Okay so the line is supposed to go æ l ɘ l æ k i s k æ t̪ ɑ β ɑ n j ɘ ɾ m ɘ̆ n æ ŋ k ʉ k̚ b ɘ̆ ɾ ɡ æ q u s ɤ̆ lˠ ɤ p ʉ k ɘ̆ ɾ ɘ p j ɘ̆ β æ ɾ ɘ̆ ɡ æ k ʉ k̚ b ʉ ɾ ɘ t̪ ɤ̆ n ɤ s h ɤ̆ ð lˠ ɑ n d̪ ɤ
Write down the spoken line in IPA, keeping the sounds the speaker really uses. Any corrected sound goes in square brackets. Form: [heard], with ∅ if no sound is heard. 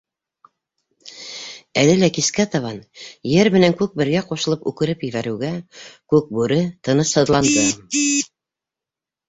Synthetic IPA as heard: æ l ɘ l æ k i s k æ t̪ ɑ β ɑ n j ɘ ɾ m ɘ̆ n æ ŋ k ʉ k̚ b ɘ̆ ɾ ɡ æ q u [ʃ] ɤ̆ lˠ ɤ p ʉ k ɘ̆ ɾ ɘ p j ɘ̆ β æ ɾ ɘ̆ ɡ æ k ʉ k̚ b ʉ ɾ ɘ t̪ ɤ̆ n ɤ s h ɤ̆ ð lˠ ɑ n d̪ ɤ